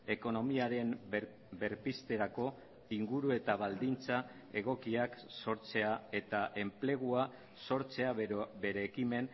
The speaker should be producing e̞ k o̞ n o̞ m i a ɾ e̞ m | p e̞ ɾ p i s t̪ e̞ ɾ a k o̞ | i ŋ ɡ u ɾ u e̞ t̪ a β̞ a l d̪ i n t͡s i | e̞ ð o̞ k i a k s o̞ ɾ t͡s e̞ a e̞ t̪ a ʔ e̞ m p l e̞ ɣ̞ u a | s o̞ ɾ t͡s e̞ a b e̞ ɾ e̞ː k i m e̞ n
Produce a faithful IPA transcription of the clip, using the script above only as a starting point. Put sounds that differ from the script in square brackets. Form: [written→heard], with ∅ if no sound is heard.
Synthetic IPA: e̞ k o̞ n o̞ m i a ɾ e̞ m | [p→b] e̞ ɾ p i s t̪ e̞ ɾ a k o̞ | i ŋ ɡ u ɾ u e̞ t̪ a β̞ a l d̪ i n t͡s [i→a] | e̞ [ð→ɣ] o̞ k i a k s o̞ ɾ t͡s e̞ a e̞ t̪ a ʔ e̞ m p l e̞ ɣ̞ u a | s o̞ ɾ t͡s e̞ a b e̞ ɾ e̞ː k i m e̞ n